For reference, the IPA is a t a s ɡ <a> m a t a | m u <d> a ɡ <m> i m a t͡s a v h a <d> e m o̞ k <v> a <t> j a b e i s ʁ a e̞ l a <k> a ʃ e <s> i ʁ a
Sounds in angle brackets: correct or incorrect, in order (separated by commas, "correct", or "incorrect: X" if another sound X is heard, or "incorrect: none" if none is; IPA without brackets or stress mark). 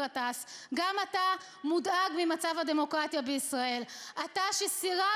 correct, correct, correct, correct, incorrect: ʁ, correct, incorrect: t, correct